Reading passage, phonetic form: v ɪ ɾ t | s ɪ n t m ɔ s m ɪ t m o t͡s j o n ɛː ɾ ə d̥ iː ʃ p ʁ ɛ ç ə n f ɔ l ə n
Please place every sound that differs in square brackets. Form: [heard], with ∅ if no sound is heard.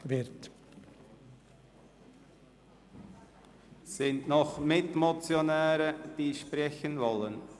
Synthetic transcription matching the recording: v ɪ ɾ t | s ɪ n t [n] ɔ [χ] m ɪ t m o t͡s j o n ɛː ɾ ə d̥ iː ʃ p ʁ ɛ ç ə n [v] ɔ l ə n